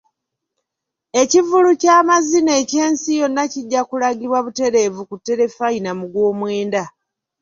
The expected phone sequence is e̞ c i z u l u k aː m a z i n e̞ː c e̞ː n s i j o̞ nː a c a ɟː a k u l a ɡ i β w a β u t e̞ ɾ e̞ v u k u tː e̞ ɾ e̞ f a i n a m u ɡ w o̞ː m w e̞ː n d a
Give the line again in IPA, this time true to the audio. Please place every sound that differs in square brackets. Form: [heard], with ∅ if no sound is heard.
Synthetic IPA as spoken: e̞ c i [v] u l u [c] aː m a z i n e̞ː c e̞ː n s i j o̞ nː a c [i] ɟː a k u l a ɡ i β w a β u t e̞ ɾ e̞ v u k u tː e̞ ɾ e̞ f a i n a m u ɡ w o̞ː m w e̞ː n d a